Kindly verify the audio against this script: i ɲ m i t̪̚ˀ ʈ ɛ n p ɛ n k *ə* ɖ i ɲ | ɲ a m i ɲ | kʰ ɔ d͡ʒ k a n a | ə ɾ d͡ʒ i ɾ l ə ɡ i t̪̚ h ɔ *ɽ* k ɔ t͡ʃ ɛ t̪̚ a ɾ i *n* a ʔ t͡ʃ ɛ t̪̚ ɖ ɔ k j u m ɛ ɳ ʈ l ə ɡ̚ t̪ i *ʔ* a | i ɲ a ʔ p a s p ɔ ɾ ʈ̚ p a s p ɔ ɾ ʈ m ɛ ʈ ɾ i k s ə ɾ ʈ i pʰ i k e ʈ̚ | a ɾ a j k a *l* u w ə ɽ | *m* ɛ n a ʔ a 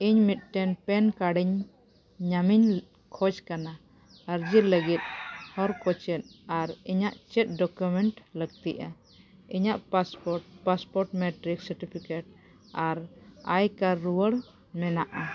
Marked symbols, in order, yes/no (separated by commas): no, no, no, yes, no, yes